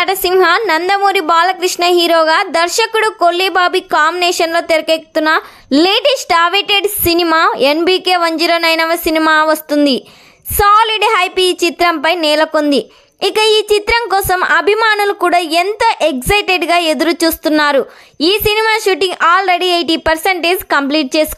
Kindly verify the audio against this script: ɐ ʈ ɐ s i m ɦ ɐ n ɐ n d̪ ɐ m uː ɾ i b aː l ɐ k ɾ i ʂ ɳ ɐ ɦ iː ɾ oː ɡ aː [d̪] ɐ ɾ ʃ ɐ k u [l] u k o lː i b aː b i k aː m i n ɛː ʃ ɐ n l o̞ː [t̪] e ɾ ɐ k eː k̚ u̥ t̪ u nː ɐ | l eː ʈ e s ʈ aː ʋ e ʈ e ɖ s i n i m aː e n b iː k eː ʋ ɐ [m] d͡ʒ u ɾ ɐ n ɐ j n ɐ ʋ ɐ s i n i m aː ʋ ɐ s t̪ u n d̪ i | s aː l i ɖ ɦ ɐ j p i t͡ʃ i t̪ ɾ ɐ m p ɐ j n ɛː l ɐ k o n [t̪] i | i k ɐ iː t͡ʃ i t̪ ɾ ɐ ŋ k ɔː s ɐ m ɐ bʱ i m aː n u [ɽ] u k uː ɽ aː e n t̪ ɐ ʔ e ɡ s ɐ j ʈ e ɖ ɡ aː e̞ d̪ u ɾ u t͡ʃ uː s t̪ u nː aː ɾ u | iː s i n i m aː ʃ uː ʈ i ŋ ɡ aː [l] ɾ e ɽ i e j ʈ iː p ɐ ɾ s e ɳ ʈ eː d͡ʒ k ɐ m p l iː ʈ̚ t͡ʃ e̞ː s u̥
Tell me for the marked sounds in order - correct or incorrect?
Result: correct, incorrect: ɽ, correct, incorrect: ɲ, incorrect: d̪, incorrect: l, correct

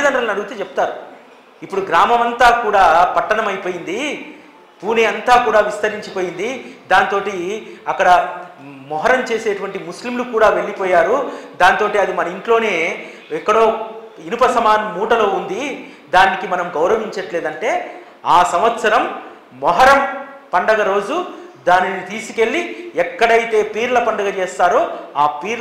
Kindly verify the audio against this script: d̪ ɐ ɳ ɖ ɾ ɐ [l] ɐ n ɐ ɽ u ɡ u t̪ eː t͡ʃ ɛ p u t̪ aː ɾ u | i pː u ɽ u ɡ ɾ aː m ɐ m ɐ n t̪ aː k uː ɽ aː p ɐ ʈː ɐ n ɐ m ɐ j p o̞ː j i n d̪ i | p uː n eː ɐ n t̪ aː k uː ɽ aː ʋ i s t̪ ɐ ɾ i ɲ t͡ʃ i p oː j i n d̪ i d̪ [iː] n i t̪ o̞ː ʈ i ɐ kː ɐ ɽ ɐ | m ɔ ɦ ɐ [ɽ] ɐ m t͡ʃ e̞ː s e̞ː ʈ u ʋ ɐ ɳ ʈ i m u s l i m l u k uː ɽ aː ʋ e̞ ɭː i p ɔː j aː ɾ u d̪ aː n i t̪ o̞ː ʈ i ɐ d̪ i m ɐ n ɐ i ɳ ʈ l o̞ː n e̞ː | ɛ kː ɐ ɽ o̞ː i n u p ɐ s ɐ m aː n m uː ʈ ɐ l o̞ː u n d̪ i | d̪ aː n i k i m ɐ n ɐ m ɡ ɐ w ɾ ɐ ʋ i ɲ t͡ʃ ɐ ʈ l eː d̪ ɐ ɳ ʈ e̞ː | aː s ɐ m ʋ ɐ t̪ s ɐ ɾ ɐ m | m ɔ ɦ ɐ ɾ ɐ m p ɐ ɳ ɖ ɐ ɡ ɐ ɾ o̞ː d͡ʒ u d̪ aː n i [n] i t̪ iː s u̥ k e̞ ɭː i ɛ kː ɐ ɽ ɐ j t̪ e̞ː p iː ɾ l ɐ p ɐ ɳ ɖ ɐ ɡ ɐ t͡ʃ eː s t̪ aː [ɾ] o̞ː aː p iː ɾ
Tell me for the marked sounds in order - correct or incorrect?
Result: correct, incorrect: aː, incorrect: ɾ, correct, correct

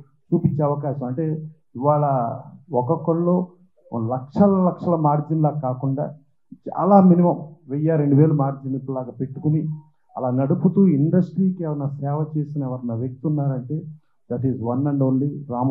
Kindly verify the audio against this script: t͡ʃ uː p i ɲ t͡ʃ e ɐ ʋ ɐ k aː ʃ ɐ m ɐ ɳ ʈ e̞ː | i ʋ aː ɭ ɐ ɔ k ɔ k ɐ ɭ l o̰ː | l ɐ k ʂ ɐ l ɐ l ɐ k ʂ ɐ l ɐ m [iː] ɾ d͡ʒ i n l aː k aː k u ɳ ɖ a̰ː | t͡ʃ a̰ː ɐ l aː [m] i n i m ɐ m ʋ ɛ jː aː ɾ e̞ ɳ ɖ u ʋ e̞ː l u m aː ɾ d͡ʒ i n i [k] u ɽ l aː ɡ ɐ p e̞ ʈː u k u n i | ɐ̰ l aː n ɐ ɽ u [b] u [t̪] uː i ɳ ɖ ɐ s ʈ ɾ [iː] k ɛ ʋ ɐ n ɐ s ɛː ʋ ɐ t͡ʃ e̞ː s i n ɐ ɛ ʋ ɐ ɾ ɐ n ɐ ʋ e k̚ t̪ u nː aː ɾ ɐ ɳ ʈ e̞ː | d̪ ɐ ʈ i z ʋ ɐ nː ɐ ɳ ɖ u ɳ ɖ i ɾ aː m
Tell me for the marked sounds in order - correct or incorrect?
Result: incorrect: aː, correct, incorrect: p, incorrect: p, correct, correct

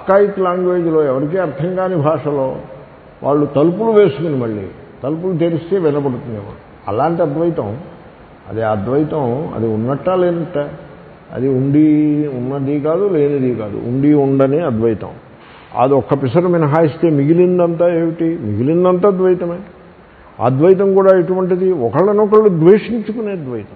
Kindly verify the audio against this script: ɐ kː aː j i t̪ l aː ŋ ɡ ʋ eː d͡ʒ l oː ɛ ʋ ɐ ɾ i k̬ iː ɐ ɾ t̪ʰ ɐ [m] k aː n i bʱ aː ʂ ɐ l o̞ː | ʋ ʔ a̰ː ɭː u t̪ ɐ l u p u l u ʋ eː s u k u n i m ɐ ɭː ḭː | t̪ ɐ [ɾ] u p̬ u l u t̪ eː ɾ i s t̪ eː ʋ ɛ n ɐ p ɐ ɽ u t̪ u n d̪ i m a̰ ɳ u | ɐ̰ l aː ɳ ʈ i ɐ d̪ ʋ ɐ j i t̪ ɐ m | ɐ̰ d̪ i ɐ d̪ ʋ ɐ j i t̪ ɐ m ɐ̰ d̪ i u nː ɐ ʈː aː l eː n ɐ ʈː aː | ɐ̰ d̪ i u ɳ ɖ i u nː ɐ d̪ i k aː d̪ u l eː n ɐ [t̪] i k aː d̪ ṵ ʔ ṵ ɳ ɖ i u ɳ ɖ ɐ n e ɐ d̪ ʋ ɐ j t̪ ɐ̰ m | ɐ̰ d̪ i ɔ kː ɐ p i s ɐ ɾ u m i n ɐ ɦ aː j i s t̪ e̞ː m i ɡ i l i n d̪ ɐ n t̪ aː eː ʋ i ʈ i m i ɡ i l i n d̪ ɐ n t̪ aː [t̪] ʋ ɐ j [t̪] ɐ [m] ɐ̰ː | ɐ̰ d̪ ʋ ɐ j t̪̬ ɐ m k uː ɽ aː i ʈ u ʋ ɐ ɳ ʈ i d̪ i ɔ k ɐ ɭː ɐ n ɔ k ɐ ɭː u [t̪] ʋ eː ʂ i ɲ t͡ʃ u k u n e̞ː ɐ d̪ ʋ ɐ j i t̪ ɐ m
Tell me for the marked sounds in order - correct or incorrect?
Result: incorrect: ŋ, incorrect: l, incorrect: d̪, incorrect: d̪, correct, correct, incorrect: d̪

